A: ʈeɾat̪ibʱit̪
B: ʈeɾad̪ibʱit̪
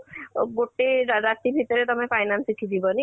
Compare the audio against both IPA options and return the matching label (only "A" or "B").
A